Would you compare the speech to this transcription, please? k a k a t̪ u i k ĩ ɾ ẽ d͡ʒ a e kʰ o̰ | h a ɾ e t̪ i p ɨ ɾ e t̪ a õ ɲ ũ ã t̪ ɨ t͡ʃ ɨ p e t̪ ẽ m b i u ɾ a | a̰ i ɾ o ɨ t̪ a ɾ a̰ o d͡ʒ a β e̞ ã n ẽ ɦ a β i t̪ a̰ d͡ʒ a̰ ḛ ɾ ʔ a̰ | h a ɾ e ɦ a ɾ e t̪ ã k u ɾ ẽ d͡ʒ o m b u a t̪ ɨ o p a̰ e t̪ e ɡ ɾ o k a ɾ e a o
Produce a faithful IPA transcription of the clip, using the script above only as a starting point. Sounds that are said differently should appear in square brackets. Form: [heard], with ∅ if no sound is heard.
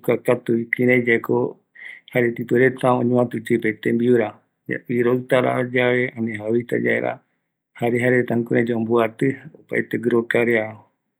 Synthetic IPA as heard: k a k a t̪ u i k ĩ ɾ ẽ d͡ʒ a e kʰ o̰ | h a ɾ e t̪ i p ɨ ɾ e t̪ a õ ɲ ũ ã t̪ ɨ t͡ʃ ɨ p e t̪ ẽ m b i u ɾ a | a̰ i ɾ o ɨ t̪ a ɾ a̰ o d͡ʒ a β e̞ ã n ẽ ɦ a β i t̪ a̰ d͡ʒ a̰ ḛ ɾ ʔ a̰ | h a ɾ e ɦ a ɾ e t̪ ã k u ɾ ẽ d͡ʒ o m b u a t̪ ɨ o p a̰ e t̪ e ɡ ɾ o k a ɾ e a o